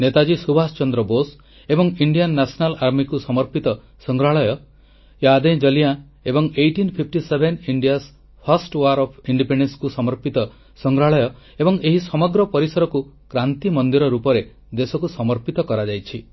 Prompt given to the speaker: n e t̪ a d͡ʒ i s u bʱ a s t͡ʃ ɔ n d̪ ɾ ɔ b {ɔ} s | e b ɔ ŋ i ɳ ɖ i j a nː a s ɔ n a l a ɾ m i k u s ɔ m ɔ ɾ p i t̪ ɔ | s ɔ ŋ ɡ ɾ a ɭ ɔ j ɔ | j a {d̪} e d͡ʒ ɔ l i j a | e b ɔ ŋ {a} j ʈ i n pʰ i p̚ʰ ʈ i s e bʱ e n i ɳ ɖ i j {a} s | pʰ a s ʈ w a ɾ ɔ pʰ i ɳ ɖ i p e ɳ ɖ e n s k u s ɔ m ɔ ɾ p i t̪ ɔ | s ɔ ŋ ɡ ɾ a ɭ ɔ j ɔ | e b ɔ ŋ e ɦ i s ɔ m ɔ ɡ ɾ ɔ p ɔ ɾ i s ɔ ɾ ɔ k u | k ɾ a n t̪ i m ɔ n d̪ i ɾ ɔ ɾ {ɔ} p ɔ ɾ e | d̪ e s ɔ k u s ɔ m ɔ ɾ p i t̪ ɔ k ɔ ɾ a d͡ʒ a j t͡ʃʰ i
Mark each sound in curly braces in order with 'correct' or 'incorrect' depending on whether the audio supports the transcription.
incorrect, correct, incorrect, correct, incorrect

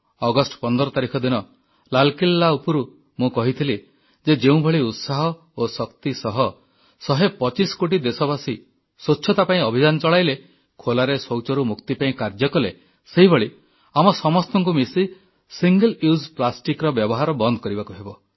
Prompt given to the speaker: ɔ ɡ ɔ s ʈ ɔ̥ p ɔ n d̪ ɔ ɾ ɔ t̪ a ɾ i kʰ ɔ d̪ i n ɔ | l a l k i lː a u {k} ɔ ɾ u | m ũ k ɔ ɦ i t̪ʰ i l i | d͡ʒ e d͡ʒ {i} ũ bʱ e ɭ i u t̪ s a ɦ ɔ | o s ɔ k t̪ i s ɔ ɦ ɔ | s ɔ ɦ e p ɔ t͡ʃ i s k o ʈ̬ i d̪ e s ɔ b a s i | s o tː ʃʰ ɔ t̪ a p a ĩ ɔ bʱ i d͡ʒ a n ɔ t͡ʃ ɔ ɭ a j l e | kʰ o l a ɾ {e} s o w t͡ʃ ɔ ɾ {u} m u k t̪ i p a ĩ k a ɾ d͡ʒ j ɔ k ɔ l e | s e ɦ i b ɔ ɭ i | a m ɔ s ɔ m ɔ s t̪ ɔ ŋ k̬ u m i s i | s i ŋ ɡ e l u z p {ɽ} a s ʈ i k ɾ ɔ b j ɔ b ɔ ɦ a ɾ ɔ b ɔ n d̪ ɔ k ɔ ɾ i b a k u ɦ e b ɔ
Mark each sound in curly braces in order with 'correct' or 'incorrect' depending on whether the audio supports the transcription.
incorrect, incorrect, correct, correct, incorrect

